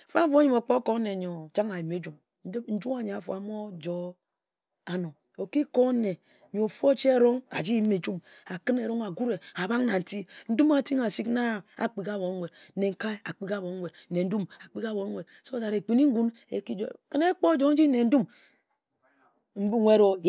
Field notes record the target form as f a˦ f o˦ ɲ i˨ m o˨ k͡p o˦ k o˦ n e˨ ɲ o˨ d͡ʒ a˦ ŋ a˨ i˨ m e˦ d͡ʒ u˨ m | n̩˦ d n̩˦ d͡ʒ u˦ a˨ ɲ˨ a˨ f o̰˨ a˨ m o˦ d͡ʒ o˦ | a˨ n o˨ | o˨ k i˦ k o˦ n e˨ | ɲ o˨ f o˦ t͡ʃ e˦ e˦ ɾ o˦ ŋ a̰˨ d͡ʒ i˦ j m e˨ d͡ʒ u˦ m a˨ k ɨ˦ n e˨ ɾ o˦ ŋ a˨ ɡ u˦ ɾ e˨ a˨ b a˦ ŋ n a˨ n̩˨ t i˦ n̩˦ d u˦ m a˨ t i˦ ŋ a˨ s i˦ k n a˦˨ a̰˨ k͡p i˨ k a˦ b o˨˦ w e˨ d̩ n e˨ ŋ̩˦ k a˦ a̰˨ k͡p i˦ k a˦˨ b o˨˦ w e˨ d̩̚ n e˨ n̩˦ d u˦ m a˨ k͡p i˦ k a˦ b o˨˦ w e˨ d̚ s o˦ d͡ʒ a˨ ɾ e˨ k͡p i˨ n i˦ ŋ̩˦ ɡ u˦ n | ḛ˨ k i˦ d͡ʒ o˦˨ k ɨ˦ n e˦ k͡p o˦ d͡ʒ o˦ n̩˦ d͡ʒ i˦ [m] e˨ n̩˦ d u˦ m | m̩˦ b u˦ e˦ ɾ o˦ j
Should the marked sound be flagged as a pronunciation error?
yes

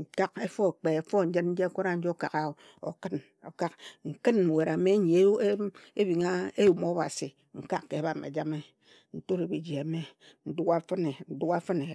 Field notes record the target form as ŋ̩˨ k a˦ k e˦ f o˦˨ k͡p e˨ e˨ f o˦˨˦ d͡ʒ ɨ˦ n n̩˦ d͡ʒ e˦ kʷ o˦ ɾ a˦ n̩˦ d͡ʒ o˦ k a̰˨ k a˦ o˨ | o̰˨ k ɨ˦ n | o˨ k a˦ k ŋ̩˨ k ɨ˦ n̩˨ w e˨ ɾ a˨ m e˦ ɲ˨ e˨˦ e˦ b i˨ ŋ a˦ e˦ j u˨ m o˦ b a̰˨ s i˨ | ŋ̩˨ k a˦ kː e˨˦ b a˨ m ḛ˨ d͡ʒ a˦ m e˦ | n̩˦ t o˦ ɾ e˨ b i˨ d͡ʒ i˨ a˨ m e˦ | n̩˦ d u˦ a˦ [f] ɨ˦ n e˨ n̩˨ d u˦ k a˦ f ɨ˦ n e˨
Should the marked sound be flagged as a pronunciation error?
no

